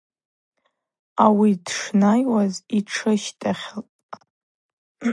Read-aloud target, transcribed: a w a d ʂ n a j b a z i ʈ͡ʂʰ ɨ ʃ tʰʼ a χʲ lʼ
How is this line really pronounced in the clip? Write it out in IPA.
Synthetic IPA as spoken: a w i d ʂ n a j w a z i ʈ͡ʂʰ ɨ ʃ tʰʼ a χʲ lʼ